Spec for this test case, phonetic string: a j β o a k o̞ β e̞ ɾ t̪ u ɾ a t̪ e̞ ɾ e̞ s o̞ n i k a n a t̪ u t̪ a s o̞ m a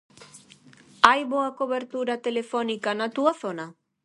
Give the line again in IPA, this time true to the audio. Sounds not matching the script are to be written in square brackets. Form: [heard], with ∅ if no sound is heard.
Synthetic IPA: a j β o a k o̞ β e̞ ɾ t̪ u ɾ a t̪ e̞ [l] e̞ [f] o̞ n i k a n a t̪ u [∅] a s o̞ [n] a